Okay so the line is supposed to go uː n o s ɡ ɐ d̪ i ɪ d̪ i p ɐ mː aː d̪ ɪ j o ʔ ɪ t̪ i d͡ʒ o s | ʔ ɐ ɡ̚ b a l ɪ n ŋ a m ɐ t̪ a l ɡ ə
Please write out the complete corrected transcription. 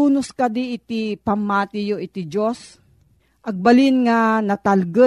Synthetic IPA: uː n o s k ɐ d̪ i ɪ t̪ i p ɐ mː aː t̪ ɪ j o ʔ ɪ t̪ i d͡ʒ o s | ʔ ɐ ɡ̚ b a l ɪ n ŋ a n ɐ t̪ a l ɡ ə